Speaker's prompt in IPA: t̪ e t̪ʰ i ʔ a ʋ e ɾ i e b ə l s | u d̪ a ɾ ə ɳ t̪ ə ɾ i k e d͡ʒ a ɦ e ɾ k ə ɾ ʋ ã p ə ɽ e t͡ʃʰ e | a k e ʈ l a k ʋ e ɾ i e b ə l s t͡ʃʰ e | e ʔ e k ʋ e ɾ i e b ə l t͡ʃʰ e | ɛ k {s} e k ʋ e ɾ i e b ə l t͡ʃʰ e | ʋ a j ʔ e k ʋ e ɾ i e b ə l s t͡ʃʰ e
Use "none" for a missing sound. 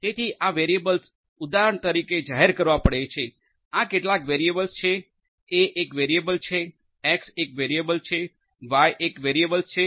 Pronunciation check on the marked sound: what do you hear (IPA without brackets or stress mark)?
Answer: s